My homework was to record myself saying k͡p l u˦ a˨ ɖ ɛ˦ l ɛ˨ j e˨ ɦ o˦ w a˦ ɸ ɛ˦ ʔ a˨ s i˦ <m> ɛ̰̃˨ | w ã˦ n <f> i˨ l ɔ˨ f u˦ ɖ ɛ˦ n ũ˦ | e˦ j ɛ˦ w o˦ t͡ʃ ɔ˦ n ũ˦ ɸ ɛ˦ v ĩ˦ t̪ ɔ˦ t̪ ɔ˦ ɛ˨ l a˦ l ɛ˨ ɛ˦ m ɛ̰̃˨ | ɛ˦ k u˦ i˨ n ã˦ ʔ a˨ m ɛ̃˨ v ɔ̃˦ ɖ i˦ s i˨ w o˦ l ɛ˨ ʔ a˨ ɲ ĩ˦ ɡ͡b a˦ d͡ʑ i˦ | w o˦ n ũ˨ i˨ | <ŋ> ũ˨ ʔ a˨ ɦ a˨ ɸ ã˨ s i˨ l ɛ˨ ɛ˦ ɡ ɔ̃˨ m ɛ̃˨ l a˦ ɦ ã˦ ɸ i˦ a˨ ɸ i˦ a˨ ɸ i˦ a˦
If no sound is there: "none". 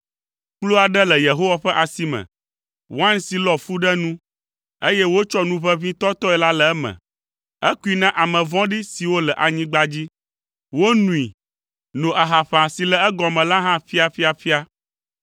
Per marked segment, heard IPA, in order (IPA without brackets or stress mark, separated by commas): m, s, n